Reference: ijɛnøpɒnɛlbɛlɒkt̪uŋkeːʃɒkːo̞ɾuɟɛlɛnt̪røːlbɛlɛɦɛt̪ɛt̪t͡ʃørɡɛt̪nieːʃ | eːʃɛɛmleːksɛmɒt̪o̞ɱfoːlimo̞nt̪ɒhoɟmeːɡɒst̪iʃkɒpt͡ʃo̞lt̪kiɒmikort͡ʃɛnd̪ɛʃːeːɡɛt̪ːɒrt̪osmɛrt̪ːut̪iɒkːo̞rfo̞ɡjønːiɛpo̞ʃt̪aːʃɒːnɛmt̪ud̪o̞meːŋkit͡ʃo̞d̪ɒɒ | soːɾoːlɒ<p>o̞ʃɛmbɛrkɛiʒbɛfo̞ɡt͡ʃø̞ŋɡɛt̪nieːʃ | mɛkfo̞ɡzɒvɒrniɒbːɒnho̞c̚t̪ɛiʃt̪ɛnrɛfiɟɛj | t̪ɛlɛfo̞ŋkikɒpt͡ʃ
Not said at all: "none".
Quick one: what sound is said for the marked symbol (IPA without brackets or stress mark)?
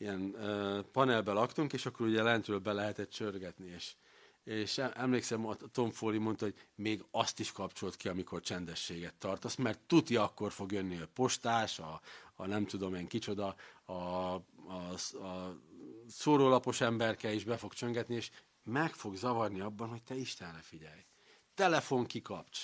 p